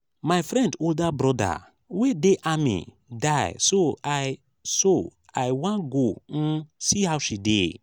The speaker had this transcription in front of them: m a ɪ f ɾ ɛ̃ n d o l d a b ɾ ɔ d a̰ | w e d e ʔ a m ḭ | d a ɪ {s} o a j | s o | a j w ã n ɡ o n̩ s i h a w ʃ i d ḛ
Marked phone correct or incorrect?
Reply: correct